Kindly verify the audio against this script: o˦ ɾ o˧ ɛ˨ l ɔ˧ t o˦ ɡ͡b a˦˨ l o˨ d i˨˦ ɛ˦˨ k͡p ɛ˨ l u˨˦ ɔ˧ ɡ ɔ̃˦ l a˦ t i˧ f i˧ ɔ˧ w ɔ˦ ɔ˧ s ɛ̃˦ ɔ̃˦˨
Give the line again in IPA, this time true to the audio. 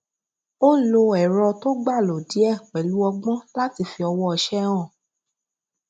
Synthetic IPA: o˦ l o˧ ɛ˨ ɾ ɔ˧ t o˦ ɡ͡b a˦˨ l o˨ d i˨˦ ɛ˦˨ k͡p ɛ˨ l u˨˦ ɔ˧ ɡ͡b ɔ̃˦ l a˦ t i˧ f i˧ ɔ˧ w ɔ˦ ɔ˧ ʃ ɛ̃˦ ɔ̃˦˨